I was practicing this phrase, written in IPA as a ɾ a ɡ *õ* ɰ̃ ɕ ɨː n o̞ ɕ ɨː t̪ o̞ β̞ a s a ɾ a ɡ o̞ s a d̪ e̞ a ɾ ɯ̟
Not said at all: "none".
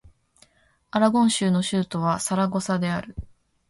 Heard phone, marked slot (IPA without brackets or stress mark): õ